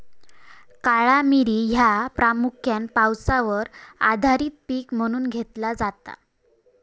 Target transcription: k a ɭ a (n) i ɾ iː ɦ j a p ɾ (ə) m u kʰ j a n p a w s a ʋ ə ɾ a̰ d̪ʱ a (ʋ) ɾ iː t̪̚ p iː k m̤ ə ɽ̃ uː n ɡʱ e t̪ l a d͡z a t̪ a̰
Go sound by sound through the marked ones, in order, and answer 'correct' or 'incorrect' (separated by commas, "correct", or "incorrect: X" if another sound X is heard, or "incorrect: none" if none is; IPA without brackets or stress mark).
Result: incorrect: m, incorrect: a, incorrect: none